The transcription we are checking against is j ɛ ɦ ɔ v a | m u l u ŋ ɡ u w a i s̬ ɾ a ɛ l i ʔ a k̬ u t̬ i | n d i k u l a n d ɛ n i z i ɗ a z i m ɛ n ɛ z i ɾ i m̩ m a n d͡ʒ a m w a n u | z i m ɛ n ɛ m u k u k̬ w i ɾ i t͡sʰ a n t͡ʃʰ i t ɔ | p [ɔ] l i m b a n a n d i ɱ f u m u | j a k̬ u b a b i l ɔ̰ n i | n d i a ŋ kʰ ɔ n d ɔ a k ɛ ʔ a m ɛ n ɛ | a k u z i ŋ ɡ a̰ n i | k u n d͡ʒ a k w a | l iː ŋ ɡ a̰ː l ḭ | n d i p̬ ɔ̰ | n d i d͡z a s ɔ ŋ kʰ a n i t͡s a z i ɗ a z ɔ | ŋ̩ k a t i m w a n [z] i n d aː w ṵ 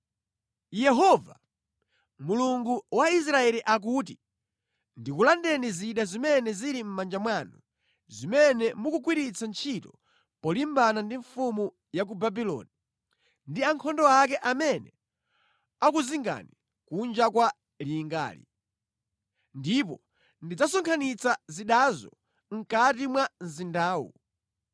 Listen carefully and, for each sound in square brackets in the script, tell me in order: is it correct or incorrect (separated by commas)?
correct, correct